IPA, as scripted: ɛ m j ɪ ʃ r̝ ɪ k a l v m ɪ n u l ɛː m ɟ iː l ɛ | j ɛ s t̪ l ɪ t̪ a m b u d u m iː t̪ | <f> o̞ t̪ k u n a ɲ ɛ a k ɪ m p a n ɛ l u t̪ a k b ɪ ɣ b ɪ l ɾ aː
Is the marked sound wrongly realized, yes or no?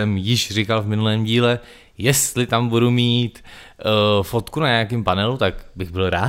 no